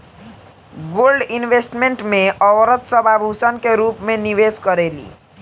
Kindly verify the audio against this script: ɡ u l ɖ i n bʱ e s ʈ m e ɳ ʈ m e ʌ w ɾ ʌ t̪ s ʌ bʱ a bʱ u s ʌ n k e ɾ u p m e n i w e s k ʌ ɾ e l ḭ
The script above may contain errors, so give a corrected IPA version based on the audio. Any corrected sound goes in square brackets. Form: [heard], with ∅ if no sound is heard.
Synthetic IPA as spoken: ɡ [o] l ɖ i n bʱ e s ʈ m e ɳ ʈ m e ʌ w ɾ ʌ t̪ s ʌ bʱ a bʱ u s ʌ n k e ɾ u p m e n i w e s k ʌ ɾ e l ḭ